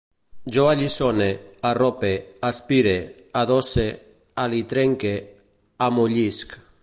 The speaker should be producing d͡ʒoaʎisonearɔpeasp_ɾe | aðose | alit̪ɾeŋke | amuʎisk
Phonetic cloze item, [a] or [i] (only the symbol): i